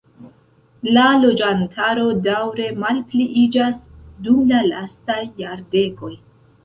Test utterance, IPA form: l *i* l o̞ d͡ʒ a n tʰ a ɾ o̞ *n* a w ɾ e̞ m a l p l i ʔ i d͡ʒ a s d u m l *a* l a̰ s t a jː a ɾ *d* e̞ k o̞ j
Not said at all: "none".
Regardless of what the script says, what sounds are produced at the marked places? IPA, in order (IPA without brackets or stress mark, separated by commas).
a, d, a, d